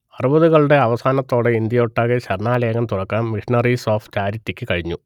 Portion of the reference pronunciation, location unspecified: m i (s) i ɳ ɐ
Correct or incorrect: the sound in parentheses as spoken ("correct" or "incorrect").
incorrect